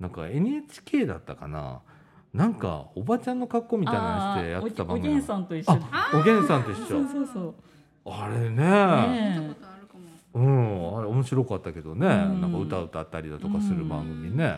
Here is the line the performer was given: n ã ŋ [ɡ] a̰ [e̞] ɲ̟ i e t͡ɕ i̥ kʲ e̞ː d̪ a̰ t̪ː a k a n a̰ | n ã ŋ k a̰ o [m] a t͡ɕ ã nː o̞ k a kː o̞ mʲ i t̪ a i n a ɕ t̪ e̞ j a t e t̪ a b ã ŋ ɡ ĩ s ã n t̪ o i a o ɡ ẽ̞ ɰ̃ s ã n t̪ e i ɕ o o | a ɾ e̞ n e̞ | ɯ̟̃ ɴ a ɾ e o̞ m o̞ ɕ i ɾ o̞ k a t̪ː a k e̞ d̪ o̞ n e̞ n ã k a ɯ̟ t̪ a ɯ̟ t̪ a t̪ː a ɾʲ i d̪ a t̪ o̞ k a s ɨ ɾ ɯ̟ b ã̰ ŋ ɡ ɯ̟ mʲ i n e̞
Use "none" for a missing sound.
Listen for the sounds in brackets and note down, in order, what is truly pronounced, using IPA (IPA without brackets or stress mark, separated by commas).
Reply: k, e̞, b